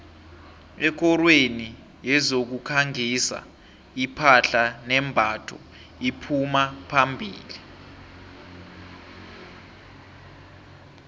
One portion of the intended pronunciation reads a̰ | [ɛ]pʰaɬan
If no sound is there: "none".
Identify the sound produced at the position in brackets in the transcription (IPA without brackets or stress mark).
i